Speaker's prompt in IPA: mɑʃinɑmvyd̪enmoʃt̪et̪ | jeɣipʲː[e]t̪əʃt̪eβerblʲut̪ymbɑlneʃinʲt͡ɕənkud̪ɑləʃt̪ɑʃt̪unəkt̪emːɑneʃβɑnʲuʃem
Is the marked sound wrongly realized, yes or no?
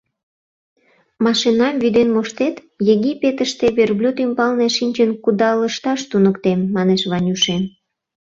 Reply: no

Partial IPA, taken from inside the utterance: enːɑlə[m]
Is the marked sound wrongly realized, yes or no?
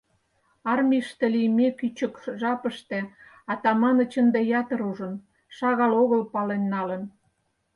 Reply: yes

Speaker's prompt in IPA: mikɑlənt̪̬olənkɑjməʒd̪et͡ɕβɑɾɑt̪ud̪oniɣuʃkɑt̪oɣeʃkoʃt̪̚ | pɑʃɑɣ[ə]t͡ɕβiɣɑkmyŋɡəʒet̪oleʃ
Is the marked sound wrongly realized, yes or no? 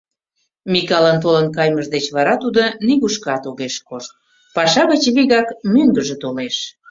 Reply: no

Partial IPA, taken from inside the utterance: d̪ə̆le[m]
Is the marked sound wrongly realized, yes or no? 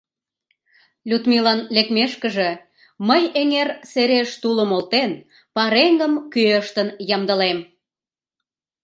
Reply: no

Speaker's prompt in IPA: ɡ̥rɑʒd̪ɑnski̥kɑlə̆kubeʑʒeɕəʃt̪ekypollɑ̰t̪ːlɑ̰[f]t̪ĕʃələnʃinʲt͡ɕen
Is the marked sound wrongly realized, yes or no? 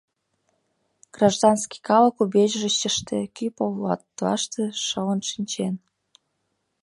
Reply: yes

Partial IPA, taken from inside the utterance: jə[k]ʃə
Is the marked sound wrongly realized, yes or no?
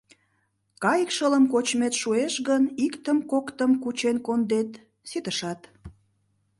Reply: no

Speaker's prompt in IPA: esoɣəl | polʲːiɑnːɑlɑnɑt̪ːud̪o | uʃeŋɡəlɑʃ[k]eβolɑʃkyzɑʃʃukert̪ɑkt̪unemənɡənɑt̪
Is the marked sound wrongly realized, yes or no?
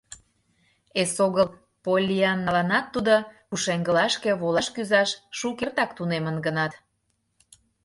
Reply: no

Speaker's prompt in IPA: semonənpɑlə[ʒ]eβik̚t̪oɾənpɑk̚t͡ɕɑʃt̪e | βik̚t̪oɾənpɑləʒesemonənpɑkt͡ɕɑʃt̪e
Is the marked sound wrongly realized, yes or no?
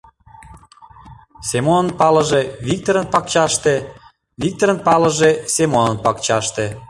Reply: no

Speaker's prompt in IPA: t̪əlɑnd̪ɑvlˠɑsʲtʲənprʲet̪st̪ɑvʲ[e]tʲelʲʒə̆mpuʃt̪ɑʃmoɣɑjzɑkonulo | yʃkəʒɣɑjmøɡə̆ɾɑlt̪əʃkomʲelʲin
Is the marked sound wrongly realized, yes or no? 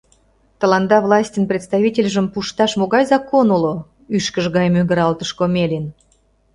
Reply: yes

